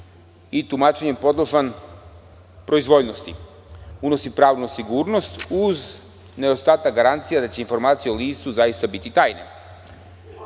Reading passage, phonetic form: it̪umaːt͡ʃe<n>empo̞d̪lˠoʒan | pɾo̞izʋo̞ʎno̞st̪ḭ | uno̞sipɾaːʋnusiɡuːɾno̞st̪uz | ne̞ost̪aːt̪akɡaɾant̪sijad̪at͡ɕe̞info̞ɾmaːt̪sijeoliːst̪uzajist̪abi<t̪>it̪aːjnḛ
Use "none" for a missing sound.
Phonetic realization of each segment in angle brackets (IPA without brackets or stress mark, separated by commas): ɲ, t̪